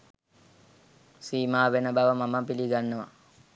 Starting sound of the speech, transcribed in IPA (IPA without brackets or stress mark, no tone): s